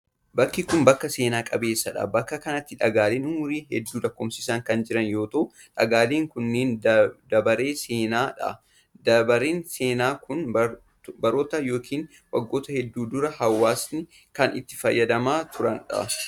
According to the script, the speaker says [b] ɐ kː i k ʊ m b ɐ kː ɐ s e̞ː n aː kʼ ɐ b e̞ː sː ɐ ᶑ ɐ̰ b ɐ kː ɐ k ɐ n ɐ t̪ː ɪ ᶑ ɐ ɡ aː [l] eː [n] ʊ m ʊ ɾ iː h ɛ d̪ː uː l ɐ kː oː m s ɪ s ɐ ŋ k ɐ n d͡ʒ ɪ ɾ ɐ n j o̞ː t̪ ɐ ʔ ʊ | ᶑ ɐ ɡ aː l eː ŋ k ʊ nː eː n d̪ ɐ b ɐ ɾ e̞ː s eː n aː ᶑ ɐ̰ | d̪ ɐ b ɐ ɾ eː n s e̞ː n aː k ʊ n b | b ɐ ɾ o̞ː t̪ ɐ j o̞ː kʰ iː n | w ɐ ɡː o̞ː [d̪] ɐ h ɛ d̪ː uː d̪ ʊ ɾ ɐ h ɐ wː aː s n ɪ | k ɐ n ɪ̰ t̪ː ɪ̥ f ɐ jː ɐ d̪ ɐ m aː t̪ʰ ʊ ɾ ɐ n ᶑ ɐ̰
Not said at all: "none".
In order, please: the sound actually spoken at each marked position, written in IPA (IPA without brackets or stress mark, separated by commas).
b, l, n, t̪